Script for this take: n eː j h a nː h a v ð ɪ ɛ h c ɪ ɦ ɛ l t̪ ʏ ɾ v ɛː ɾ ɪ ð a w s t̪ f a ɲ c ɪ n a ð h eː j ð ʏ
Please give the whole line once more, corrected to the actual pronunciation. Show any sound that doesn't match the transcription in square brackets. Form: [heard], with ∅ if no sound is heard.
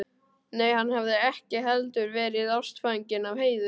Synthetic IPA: n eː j h a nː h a v ð ɪ ɛ h c ɪ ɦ ɛ l t̪ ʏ ɾ v ɛː ɾ ɪ ð a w s t̪ f a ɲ c ɪ n a [v] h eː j ð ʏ